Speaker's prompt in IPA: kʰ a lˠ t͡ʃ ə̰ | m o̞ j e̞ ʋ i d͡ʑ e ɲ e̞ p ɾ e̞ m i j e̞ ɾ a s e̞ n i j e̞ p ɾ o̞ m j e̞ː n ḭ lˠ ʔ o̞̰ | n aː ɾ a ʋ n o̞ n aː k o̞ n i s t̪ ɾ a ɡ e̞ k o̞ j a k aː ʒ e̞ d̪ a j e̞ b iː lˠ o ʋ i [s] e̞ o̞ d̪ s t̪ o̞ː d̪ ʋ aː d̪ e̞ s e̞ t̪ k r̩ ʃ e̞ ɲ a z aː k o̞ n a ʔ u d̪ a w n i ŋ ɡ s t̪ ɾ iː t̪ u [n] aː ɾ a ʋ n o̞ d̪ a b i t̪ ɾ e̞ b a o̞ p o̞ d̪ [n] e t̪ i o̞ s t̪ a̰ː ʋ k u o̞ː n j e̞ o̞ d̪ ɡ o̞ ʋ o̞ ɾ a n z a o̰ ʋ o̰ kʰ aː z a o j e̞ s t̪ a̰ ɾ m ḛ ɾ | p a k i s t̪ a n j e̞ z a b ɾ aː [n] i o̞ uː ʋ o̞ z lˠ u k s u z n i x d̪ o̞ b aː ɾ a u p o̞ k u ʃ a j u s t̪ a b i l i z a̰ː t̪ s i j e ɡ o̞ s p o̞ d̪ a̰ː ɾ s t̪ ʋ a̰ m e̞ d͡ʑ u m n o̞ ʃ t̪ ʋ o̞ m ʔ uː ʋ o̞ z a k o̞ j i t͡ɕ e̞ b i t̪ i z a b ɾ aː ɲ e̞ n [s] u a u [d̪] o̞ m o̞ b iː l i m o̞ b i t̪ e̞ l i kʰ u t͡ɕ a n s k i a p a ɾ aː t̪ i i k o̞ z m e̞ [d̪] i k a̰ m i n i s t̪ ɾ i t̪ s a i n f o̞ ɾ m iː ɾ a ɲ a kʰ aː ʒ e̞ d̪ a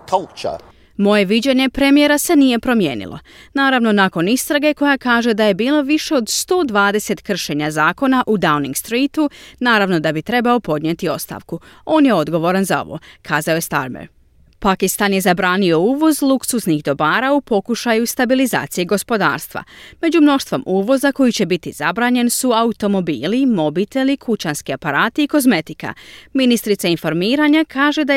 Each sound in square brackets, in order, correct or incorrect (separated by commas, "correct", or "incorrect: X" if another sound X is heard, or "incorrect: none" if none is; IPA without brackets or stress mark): incorrect: ʃ, correct, incorrect: ɲ, correct, correct, incorrect: t̪, incorrect: t̪